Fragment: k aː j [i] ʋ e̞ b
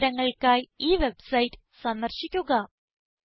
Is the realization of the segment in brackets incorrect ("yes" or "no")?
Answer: yes